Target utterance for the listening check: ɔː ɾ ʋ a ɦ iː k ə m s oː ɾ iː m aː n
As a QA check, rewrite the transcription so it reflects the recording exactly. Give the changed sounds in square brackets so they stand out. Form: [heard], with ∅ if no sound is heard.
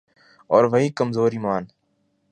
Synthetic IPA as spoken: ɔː ɾ ʋ [ə] ɦ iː k ə m [z] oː ɾ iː m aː n

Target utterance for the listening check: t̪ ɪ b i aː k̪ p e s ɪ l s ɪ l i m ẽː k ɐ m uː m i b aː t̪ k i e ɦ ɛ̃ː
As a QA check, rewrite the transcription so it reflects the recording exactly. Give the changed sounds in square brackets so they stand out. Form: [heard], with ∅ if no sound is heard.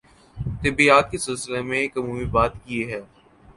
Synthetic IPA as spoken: t̪ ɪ b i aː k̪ [k] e s ɪ l s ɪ l [e] m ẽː k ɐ m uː m i b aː t̪ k i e ɦ [ɛː]

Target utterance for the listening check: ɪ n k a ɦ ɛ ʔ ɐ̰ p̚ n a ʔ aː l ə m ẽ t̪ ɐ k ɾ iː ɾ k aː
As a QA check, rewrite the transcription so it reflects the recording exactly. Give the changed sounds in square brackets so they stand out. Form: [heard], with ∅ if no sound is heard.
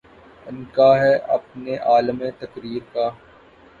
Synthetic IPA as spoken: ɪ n k a ɦ ɛ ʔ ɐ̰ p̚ n [e] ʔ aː l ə m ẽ t̪ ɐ k ɾ iː ɾ k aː

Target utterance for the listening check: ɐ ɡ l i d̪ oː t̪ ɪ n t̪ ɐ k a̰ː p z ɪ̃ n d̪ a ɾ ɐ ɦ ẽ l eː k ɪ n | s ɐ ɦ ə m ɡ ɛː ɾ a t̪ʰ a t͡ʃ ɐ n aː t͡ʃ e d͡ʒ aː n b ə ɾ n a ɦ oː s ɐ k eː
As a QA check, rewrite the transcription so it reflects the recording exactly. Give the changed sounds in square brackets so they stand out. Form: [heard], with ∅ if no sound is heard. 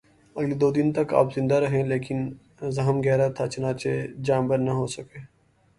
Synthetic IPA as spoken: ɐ ɡ l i d̪ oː [d̪] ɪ n t̪ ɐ k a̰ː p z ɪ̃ n d̪ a ɾ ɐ ɦ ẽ l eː k ɪ n | [z] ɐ ɦ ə m ɡ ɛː ɾ a t̪ʰ a t͡ʃ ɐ n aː t͡ʃ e d͡ʒ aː [m] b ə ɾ n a ɦ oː s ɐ k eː

